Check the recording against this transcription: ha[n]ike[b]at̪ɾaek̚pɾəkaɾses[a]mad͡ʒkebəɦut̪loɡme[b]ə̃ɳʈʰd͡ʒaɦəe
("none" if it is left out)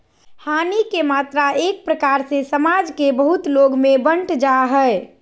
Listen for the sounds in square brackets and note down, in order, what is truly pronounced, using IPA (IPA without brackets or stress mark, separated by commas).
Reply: n, m, ə, b